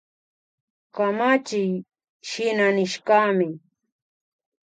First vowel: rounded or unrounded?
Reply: unrounded